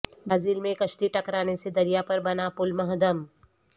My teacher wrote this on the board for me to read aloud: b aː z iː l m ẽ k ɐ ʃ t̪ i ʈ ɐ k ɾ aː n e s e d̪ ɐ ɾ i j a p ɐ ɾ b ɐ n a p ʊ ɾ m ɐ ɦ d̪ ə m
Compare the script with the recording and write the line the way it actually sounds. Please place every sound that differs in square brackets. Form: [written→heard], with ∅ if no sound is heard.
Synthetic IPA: b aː z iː l m ẽ k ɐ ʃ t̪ i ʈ ɐ k ɾ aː n e s e d̪ ɐ ɾ i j a p ɐ ɾ b ɐ n a p ʊ [ɾ→l] m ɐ ɦ d̪ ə m